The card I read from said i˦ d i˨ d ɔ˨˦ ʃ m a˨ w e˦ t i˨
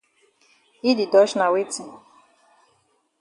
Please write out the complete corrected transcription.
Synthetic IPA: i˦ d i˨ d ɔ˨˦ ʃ n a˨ w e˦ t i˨